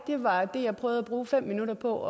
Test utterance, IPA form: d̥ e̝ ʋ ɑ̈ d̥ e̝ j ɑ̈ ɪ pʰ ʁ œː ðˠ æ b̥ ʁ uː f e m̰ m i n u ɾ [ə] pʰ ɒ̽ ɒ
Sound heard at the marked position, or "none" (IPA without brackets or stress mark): ɐ